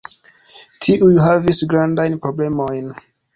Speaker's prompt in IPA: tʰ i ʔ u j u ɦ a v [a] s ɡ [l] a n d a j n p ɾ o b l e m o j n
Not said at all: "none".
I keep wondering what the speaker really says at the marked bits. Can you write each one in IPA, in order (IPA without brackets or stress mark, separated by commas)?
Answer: i, ɾ